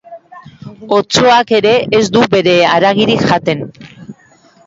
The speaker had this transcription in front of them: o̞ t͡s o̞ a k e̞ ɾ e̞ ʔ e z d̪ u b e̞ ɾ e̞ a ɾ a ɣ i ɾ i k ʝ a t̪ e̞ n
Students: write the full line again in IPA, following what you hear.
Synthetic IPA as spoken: o̞ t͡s o̞ a k e̞ ɾ e̞ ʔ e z d̪ u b e̞ ɾ e̞ a ɾ a ɣ i ɾ i k ʝ a t̪ e̞ n